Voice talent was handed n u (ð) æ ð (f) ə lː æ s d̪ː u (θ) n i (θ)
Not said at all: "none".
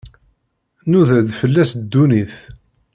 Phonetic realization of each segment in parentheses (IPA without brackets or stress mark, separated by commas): ð, f, none, θ